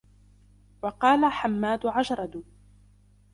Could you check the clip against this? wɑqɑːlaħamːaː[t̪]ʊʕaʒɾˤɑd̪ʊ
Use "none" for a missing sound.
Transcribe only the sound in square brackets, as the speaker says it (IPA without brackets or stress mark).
d̪